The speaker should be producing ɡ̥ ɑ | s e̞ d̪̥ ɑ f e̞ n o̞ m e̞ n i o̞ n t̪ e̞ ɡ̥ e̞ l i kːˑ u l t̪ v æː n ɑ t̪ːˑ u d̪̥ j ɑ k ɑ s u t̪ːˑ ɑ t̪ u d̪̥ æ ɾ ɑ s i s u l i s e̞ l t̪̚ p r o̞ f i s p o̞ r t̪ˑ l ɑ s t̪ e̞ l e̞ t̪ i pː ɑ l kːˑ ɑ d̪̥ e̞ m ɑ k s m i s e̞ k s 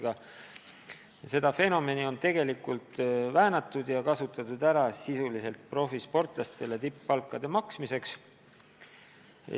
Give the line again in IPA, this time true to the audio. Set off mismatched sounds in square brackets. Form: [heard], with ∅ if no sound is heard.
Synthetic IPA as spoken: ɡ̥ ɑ | s e̞ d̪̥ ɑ f e̞ n o̞ m e̞ n i o̞ n t̪ e̞ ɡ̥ e̞ l i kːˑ u l t̪ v æː n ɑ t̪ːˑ u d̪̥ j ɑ k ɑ s u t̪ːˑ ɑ t̪ u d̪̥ æ ɾ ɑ s i s u l i s e̞ l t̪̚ p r o̞ f i s p o̞ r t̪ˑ l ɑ s t̪ e̞ l e̞ t̪ i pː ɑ l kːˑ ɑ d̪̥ e̞ m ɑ k s m i s e̞ k s